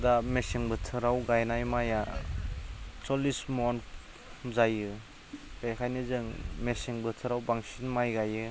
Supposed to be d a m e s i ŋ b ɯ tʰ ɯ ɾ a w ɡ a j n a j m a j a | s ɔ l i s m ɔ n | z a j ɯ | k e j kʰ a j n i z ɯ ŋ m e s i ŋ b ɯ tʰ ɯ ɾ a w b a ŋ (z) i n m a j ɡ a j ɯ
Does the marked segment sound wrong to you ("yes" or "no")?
yes